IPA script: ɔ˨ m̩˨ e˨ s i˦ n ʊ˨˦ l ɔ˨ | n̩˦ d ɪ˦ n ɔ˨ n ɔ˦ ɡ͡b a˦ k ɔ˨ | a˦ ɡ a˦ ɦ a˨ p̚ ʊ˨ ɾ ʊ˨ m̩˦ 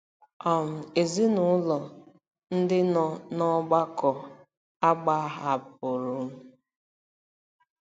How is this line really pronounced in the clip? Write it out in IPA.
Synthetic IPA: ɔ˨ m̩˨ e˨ z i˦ n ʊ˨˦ l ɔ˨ | n̩˦ d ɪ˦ n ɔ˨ n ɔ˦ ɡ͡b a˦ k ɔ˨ | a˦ ɡ͡b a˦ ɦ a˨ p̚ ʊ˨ ɾ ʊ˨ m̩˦